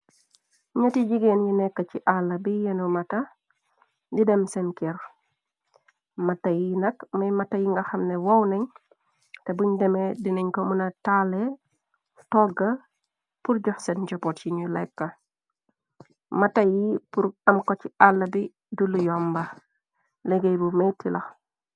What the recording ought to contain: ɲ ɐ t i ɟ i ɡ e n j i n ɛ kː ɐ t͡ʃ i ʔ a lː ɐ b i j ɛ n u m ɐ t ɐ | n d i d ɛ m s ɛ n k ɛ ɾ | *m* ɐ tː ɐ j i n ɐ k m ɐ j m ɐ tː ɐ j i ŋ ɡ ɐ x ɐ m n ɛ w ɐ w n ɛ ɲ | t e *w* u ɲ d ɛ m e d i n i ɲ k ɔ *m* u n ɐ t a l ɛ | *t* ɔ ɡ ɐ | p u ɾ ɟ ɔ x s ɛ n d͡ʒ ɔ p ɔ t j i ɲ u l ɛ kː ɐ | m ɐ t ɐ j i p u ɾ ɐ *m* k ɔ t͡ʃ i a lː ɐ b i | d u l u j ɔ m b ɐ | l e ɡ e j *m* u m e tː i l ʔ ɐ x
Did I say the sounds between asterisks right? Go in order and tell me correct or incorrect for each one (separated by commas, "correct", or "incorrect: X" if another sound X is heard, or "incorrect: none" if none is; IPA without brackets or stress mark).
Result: correct, incorrect: b, correct, correct, correct, incorrect: b